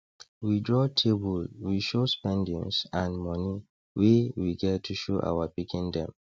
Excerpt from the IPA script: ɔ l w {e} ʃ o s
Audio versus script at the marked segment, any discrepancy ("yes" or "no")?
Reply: yes